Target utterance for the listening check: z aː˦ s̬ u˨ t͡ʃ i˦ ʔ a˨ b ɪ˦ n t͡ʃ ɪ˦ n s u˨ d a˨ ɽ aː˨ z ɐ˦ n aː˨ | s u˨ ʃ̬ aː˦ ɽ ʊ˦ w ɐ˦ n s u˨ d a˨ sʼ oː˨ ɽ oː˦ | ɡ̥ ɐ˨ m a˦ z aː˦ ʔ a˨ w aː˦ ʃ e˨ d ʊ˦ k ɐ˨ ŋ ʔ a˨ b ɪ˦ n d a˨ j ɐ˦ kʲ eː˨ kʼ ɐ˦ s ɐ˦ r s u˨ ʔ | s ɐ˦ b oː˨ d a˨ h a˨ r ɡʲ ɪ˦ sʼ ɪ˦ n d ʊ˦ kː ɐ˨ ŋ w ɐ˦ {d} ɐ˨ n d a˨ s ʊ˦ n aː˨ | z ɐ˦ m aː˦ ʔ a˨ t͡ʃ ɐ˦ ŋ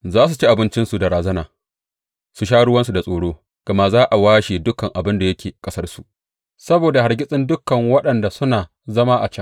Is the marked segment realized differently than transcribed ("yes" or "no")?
yes